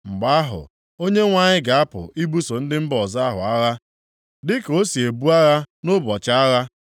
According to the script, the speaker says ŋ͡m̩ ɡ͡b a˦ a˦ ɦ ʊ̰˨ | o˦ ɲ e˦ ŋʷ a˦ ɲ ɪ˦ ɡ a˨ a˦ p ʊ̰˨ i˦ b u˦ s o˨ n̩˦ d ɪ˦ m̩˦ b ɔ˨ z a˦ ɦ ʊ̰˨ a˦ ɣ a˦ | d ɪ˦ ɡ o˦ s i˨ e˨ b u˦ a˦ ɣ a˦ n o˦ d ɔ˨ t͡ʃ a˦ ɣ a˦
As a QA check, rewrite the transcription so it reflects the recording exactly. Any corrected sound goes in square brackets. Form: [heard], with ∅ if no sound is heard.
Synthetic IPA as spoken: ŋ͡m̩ ɡ͡b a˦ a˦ ɦ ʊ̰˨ | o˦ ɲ e˦ ŋʷ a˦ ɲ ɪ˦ ɡ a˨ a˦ p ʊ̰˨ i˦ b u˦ s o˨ n̩˦ d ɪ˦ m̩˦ b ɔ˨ z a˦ ɦ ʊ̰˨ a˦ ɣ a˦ | d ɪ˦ [k] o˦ s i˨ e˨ b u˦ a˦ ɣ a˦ n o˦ [b] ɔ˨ t͡ʃ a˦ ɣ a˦